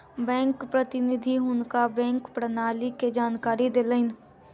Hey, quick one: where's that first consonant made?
lips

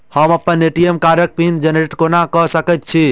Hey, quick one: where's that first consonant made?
throat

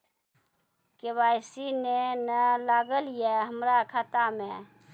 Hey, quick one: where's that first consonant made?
velum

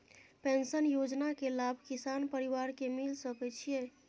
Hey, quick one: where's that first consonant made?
lips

